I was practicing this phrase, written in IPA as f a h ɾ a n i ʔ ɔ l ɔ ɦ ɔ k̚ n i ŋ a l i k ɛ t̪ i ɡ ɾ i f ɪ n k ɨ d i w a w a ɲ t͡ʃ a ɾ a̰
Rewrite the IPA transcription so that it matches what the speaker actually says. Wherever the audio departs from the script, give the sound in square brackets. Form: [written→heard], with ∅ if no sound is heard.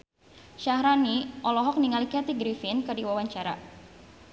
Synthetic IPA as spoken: [f→ʃ] a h ɾ a n i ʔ ɔ l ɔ ɦ ɔ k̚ n i ŋ a l i k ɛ t̪ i ɡ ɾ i f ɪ n k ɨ d i w a w a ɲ t͡ʃ a ɾ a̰